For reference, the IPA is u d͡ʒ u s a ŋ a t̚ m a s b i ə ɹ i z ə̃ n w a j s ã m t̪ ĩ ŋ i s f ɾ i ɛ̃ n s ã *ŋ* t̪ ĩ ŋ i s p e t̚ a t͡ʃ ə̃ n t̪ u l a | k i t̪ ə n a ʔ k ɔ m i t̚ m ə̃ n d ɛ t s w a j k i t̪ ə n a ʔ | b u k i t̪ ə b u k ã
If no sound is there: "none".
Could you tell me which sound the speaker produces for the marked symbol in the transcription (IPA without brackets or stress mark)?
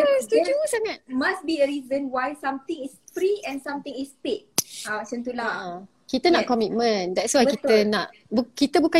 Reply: m